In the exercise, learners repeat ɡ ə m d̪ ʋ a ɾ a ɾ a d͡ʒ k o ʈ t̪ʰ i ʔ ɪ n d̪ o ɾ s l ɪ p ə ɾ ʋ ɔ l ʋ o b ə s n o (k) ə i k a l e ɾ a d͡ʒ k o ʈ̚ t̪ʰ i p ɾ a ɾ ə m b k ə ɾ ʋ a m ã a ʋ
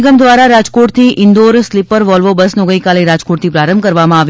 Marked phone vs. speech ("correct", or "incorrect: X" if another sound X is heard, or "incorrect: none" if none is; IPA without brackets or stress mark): incorrect: ɡ